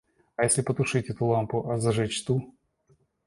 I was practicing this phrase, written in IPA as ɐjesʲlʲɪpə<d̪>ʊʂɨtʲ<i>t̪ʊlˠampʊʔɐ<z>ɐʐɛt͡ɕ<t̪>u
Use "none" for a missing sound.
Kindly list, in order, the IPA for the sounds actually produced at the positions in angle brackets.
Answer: t̪, ɛ, z, t̪

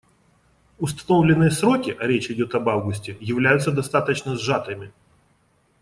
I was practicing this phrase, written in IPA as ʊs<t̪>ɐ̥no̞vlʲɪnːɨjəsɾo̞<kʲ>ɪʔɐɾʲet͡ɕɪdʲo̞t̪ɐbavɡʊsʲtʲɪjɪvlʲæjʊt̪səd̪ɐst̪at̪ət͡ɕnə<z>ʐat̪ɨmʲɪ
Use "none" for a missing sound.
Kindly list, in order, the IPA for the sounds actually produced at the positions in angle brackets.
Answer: t̪, kʲ, z

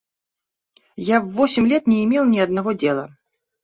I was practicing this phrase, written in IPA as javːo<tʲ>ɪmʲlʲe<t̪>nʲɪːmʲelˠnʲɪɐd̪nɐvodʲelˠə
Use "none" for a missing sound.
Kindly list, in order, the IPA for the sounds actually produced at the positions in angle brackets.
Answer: sʲ, t̪

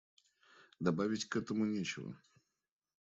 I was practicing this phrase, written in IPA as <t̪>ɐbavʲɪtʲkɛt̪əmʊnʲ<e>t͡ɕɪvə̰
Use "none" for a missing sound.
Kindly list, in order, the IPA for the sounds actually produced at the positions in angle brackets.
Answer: d̪, e

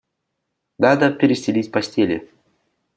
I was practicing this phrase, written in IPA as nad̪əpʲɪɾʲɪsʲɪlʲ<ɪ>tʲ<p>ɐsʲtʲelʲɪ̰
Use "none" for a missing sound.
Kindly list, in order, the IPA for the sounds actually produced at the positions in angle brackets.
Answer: i, p

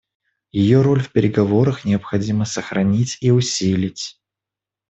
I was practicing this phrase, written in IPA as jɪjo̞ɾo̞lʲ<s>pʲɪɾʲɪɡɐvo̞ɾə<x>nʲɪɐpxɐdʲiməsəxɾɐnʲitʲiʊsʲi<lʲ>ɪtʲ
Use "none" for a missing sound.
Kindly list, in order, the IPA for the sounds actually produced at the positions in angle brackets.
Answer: f, x, lʲ

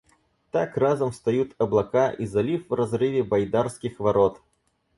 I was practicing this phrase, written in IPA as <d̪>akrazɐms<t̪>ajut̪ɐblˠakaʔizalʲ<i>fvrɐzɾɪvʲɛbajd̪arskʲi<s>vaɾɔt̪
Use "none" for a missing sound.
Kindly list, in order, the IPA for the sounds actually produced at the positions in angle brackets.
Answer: t̪, t̪, i, x

